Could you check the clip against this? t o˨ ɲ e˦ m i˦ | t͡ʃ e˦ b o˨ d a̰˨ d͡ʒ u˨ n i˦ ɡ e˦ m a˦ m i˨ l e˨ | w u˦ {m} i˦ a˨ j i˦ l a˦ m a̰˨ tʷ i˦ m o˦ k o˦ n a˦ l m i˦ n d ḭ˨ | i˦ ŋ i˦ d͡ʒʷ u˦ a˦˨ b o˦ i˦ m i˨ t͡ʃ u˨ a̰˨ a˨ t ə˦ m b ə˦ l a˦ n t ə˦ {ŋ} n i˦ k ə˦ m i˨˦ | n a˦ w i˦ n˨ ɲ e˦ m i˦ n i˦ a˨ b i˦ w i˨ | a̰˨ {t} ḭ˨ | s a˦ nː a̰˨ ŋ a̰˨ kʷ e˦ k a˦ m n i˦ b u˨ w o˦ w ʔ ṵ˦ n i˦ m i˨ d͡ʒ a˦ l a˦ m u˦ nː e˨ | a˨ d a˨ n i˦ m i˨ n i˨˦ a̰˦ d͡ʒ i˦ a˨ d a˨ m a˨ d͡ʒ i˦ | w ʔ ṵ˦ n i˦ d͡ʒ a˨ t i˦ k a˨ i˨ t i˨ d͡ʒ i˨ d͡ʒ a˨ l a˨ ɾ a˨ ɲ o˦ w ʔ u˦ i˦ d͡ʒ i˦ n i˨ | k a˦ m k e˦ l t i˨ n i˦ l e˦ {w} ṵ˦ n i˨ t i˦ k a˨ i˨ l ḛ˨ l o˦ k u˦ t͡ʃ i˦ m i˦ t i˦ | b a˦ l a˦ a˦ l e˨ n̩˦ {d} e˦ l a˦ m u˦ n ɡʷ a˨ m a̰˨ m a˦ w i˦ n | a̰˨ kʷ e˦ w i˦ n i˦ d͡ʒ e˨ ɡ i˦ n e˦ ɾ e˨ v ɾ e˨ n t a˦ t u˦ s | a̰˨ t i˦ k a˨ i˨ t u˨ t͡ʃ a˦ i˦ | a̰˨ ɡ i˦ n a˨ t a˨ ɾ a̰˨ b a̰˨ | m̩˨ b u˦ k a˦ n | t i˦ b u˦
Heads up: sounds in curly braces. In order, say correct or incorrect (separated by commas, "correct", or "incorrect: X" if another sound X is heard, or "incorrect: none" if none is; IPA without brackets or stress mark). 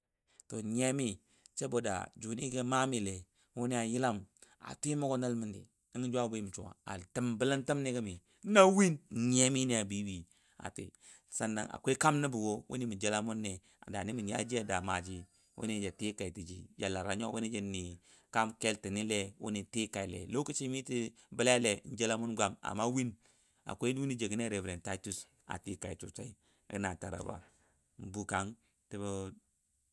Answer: incorrect: n, incorrect: m, correct, correct, incorrect: d͡ʒ